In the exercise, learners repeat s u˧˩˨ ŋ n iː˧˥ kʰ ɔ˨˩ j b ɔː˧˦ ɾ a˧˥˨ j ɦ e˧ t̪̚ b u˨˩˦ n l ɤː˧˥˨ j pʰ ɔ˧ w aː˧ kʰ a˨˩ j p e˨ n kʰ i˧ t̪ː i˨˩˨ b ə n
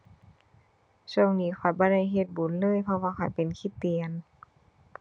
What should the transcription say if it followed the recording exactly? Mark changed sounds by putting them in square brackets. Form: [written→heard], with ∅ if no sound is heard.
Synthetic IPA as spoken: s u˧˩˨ ŋ n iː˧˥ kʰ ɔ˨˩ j b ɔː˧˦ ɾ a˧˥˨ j ɦ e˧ t̪̚ b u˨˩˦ n l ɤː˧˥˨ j pʰ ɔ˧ w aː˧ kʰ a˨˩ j p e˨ n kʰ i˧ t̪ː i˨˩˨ [b→∅] ə n